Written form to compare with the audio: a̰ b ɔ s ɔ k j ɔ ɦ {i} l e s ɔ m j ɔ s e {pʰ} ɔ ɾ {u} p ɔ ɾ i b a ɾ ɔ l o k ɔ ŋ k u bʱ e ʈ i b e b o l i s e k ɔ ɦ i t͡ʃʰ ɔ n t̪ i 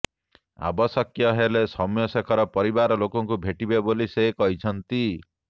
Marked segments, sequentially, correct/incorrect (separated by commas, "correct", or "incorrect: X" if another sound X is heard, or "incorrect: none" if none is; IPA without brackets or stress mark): incorrect: e, incorrect: kʰ, incorrect: ɔ